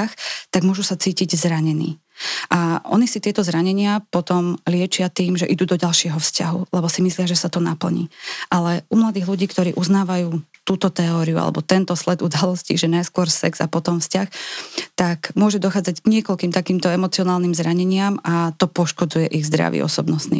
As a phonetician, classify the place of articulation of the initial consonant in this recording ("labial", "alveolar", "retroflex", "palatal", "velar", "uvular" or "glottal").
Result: velar